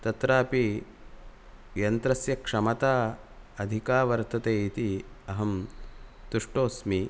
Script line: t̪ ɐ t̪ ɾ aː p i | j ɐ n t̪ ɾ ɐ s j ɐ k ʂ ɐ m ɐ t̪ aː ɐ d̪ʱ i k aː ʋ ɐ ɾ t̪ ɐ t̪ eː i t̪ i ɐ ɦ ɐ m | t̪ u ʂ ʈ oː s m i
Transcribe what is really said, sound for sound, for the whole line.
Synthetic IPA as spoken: t̪ ɐ t̪ ɾ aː p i | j ɐ n t̪ ɾ ɐ s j ɐ k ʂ ɐ m ɐ t̪ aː ɐ d̪ʱ i k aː ʋ ɐ ɾ t̪ ɐ t̪ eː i t̪ i ɐ ɦ ɐ m | t̪ u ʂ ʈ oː s m i